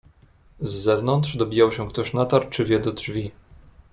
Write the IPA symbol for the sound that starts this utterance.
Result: zː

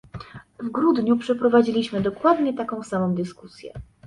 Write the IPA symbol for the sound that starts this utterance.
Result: v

